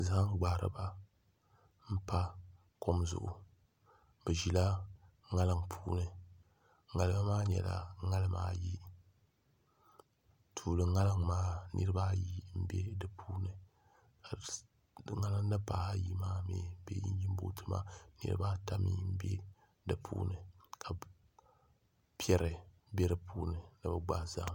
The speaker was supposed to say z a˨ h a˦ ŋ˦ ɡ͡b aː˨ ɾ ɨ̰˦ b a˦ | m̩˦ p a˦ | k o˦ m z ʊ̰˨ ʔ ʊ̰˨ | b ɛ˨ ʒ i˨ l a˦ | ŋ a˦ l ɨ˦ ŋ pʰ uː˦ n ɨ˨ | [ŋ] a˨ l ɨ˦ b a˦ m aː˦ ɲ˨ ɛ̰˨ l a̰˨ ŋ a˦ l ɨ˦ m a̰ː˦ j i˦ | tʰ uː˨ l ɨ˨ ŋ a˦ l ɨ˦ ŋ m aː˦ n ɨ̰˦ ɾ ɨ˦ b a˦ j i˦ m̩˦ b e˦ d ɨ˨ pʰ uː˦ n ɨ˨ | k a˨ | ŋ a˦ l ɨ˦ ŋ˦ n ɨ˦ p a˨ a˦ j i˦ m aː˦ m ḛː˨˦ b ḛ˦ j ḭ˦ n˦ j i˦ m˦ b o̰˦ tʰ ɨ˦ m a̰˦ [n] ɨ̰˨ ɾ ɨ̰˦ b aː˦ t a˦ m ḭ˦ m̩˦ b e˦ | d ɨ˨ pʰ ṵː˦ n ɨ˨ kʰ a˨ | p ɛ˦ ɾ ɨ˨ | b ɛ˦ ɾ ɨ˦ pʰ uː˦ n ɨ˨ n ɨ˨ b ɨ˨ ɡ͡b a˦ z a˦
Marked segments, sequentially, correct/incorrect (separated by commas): correct, correct